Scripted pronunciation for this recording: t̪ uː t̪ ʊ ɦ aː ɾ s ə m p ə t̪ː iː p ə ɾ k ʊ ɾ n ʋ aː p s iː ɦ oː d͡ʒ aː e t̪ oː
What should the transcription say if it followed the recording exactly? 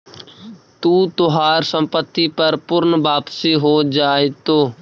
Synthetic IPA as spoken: t̪ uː t̪ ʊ ɦ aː ɾ s ə m p ə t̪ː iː p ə ɾ p ʊ ɾ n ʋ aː p s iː ɦ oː d͡ʒ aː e t̪ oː